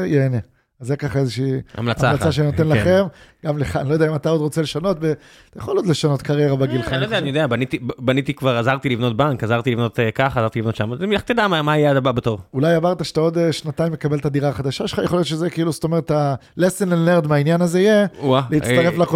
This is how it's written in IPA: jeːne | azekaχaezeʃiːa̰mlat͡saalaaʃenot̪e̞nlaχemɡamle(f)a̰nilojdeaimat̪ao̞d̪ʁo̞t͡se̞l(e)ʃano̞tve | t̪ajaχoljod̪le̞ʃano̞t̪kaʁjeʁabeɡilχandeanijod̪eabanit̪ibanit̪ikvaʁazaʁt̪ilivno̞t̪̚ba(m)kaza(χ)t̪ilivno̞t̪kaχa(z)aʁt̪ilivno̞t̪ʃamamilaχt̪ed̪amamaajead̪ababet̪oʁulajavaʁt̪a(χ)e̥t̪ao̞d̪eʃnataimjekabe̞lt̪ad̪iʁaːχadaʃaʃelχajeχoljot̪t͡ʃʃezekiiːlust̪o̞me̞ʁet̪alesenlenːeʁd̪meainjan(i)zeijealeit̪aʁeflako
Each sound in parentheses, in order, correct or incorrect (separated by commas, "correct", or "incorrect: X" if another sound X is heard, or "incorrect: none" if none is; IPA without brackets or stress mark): incorrect: χ, correct, incorrect: ŋ, incorrect: ʁ, correct, incorrect: ʃ, incorrect: a